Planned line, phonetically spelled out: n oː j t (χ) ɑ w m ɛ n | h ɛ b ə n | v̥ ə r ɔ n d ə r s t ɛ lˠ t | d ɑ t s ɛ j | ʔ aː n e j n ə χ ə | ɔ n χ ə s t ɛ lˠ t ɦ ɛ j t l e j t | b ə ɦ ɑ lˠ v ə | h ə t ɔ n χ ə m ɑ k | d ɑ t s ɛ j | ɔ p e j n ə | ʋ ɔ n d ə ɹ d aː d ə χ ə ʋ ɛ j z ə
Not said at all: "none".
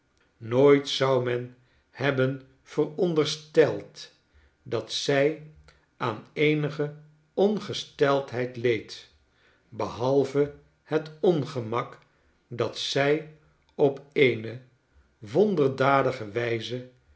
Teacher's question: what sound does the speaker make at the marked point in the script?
s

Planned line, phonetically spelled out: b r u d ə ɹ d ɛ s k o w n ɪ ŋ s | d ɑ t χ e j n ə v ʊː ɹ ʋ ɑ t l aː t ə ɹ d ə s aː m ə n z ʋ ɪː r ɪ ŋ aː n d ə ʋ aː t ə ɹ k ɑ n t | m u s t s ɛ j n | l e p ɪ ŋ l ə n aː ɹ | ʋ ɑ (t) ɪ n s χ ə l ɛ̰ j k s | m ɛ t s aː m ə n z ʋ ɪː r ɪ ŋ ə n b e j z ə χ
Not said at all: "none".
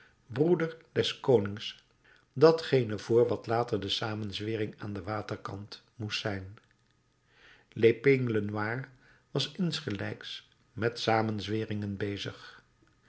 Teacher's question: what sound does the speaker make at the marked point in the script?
s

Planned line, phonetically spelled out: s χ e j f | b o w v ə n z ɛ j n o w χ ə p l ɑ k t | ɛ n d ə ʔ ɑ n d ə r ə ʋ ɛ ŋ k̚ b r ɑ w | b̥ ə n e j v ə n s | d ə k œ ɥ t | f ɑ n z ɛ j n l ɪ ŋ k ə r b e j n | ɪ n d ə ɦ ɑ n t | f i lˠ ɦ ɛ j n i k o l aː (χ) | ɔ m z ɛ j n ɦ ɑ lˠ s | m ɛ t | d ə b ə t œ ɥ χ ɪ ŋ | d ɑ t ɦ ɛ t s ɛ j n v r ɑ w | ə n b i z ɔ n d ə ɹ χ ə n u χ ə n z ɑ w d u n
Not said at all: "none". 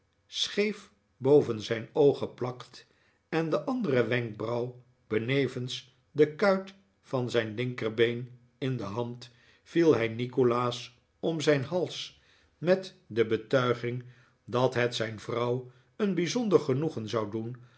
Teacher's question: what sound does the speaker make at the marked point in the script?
s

